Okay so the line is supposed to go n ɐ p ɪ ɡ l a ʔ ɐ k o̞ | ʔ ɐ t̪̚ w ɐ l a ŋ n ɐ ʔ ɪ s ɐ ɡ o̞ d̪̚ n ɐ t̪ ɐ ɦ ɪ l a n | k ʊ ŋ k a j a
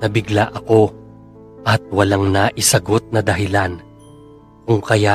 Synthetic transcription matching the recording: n ɐ b ɪ ɡ l a ʔ ɐ k o̞ | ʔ ɐ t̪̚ w ɐ l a ŋ n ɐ ʔ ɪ s ɐ ɡ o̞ t̪̚ n ɐ d̪ ɐ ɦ ɪ l a n | k ʊ ŋ k ɐ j a